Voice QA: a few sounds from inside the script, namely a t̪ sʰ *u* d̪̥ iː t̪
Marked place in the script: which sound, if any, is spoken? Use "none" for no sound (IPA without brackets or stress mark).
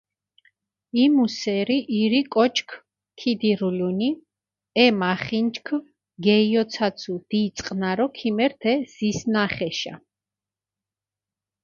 u